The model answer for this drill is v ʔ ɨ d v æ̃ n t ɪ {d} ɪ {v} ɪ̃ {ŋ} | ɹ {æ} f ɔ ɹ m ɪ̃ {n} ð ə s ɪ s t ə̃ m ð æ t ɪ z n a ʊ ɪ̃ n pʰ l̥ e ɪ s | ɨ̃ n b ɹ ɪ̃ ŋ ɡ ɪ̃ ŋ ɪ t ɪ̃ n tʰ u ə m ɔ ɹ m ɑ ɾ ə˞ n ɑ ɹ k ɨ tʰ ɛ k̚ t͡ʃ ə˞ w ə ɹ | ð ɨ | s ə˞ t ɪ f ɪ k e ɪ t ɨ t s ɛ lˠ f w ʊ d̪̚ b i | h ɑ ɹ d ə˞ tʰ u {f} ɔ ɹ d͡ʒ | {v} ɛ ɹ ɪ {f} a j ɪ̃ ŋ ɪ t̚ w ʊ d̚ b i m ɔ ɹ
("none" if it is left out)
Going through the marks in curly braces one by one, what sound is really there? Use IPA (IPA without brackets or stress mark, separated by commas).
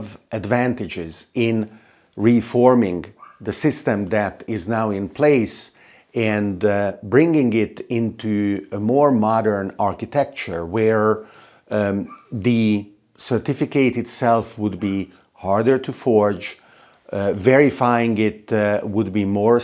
d͡ʒ, z, n, i, ŋ, f, v, f